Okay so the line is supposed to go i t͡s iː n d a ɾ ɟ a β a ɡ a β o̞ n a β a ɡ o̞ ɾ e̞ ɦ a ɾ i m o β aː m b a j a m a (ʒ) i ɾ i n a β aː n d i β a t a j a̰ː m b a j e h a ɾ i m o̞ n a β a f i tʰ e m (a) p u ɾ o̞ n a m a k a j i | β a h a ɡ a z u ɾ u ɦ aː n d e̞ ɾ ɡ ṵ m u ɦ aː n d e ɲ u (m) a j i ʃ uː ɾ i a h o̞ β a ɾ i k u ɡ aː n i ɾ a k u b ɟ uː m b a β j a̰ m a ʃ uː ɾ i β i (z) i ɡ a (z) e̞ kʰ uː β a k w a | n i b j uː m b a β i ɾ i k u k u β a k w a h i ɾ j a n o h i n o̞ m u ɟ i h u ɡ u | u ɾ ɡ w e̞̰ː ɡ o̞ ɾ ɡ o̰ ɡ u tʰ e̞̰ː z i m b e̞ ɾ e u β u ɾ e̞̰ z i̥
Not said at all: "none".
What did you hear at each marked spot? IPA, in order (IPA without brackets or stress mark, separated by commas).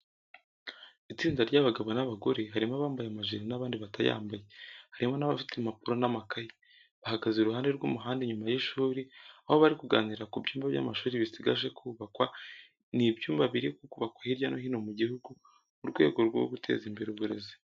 ʒ, a, m, s, ʒ